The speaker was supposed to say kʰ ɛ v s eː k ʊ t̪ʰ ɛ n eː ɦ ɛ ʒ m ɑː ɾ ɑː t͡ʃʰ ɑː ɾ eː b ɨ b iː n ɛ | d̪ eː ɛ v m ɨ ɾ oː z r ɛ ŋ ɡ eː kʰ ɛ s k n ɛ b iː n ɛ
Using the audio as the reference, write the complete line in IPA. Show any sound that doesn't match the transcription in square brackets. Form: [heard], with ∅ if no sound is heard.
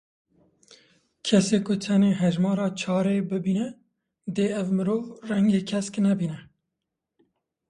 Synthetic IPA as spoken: kʰ ɛ [∅] s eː k ʊ t̪ʰ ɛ n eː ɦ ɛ ʒ m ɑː ɾ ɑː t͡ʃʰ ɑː ɾ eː b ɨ b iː n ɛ | d̪ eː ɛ v m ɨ ɾ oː [v] r ɛ ŋ ɡ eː kʰ ɛ s k n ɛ b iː n ɛ